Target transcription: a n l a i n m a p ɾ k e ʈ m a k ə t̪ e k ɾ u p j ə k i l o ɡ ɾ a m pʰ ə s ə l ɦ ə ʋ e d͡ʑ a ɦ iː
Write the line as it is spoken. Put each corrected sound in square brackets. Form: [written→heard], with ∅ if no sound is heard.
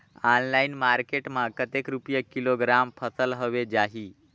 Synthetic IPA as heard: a n l a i n m a [p→∅] ɾ k e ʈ m a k ə t̪ e k ɾ u p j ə k i l o ɡ ɾ a m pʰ ə s ə l ɦ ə ʋ e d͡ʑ a ɦ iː

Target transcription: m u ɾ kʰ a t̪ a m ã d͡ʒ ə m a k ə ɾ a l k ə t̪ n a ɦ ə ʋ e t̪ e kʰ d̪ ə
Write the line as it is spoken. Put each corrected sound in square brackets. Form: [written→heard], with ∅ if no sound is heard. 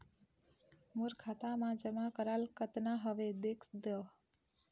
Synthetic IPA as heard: m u ɾ kʰ a t̪ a m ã d͡ʒ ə m a k ə ɾ a l k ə t̪ n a ɦ ə ʋ e [t̪→d̪] e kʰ d̪ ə

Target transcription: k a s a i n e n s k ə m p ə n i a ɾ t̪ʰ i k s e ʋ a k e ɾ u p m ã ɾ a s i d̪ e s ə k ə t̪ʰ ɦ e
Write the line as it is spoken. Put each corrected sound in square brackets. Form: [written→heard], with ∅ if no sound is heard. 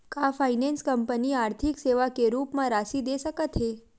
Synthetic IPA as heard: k a [s→f] a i n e n s k ə m p ə n i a ɾ t̪ʰ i k s e ʋ a k e ɾ u p m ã ɾ a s i d̪ e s ə k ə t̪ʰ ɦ e

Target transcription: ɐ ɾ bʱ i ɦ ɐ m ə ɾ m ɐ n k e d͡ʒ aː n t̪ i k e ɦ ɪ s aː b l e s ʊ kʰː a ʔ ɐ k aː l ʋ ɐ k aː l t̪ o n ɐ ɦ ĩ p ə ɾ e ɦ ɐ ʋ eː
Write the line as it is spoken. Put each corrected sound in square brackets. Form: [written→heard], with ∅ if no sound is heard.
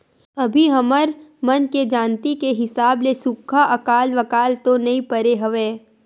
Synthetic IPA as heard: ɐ [ɾ→∅] bʱ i ɦ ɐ m ə ɾ m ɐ n k e d͡ʒ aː n t̪ i k e ɦ ɪ s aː b l e s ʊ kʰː a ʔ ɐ k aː l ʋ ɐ k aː l t̪ o n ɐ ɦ ĩ p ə ɾ e ɦ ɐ ʋ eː

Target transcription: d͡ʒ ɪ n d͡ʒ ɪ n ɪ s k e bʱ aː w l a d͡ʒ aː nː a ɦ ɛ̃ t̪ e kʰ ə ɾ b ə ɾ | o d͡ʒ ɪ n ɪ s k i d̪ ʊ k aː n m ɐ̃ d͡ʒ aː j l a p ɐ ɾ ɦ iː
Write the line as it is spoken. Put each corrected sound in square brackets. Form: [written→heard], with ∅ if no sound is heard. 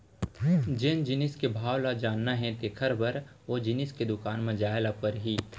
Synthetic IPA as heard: d͡ʒ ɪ n d͡ʒ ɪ n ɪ s k e bʱ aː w l a d͡ʒ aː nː a ɦ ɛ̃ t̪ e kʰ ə ɾ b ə ɾ | o d͡ʒ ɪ n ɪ s k [i→e] d̪ ʊ k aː n m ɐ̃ d͡ʒ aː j l a p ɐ ɾ ɦ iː

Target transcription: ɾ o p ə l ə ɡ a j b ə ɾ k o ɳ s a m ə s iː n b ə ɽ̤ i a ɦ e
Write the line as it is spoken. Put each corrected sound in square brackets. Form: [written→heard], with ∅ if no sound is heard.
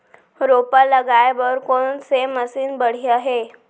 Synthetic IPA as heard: ɾ o p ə l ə ɡ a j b ə ɾ k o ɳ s [a→e] m ə s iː n b ə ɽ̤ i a ɦ e

